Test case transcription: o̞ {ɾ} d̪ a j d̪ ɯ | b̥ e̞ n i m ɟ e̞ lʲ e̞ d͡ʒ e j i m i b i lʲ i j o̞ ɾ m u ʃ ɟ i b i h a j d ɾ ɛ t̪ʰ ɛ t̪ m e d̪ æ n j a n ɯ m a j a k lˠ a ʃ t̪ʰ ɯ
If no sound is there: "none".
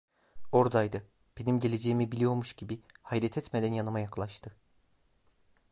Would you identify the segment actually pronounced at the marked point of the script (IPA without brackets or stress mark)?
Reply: ɾ